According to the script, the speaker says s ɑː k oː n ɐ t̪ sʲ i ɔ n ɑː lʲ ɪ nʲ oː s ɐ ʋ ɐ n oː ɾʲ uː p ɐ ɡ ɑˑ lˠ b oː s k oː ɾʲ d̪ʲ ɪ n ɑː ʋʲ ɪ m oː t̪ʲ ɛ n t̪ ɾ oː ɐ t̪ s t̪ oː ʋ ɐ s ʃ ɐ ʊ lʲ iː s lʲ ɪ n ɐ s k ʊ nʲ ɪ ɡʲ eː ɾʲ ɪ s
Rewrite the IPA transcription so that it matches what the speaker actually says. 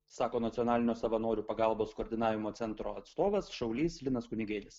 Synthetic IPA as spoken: s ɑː k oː n ɐ t̪ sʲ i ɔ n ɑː lʲ ɪ nʲ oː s ɐ ʋ ɐ n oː ɾʲ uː p ɐ ɡ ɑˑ lˠ b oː s k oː ɾʲ d̪ʲ ɪ n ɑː ʋʲ ɪ m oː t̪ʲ ɛ n t̪ ɾ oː ɐ t̪ s t̪ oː ʋ ɐ s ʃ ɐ ʊ lʲ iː s lʲ ɪ n ɐ s k ʊ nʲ ɪ ɡʲ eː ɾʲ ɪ s